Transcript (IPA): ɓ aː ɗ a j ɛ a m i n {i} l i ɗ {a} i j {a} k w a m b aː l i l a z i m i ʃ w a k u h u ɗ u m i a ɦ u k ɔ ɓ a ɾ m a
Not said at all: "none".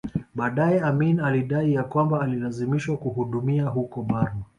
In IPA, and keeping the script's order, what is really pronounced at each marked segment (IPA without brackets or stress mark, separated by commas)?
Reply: a, a, a